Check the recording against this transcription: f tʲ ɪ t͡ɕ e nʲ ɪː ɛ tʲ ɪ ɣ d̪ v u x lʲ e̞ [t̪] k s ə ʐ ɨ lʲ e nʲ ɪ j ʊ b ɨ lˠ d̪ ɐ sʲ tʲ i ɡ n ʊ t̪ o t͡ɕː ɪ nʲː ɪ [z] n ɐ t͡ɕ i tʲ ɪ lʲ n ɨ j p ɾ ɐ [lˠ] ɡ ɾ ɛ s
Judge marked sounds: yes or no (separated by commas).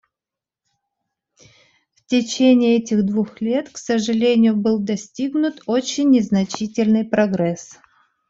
yes, yes, no